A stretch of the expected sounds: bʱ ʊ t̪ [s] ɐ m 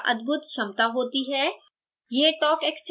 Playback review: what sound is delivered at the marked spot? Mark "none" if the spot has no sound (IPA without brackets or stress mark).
ʃ